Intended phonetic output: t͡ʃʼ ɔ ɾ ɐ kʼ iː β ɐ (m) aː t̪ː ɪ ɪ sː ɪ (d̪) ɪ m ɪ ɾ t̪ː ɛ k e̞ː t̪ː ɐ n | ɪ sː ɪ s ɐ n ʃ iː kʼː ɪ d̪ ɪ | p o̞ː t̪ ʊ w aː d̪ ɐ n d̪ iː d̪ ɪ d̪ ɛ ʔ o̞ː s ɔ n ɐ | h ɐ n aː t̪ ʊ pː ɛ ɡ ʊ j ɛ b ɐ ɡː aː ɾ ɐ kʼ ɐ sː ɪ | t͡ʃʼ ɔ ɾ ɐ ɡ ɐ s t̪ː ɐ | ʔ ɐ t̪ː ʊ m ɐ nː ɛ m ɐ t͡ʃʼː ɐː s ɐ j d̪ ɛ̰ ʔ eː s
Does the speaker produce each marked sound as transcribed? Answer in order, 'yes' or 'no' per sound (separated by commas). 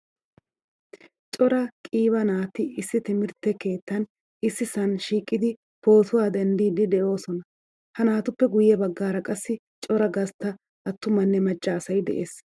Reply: no, no